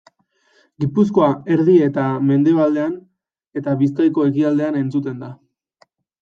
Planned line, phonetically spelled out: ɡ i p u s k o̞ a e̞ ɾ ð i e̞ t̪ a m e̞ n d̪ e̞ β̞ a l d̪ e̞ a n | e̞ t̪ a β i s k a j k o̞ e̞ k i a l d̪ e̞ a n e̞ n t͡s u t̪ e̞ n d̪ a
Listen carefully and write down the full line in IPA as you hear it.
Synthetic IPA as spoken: ɡ i p u s k o̞ a e̞ ɾ ð i e̞ t̪ a m e̞ n d̪ e̞ β̞ a l d̪ e̞ a n | e̞ t̪ a β i s k a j k o̞ e̞ k i a l d̪ e̞ a n e̞ n t͡s u t̪ e̞ n d̪ a